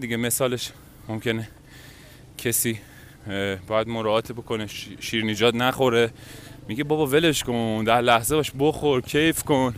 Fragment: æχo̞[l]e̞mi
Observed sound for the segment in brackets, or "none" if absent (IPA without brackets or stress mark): ɾ